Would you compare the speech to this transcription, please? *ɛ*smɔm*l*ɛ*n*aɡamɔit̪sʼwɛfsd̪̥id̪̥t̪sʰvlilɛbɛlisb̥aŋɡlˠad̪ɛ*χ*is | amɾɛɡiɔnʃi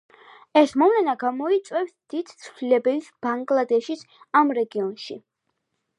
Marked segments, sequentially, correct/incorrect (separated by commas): correct, correct, correct, incorrect